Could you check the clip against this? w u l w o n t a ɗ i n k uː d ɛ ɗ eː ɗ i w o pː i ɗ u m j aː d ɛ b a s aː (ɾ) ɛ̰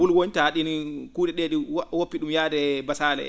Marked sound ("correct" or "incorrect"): incorrect